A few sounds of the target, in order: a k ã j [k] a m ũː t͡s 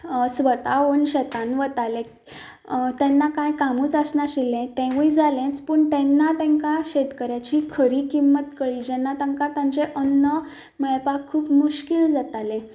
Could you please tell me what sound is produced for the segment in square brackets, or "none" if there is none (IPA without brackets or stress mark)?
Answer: k